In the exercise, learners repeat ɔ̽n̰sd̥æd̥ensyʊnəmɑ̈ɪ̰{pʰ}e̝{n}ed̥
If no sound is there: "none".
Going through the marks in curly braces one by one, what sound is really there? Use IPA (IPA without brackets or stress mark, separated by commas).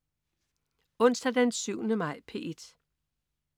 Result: pʰ, none